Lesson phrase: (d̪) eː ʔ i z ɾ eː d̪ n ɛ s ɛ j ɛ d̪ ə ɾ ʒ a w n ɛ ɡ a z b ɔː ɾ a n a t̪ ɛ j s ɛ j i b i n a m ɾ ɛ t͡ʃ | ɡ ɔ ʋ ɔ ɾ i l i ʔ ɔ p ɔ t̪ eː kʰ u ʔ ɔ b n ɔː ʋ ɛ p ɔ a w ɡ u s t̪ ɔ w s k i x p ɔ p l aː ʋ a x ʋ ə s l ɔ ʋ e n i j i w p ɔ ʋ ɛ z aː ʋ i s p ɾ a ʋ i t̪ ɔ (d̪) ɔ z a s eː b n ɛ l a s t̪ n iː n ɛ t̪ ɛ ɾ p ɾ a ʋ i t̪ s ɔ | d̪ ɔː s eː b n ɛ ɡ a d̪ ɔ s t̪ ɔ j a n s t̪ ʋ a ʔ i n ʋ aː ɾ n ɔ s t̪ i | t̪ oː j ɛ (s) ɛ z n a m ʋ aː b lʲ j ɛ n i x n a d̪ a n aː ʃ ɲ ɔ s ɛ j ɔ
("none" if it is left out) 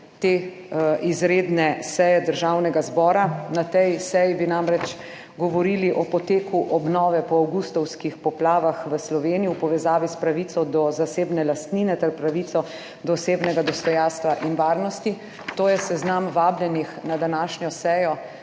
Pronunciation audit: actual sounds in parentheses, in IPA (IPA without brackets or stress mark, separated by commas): t̪, d̪, s